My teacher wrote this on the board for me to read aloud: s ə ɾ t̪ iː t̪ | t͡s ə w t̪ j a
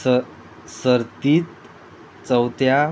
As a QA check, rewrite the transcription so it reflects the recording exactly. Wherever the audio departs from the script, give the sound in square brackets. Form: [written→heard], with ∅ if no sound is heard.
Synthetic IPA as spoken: s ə ɾ t̪ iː t̪ | t͡s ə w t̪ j a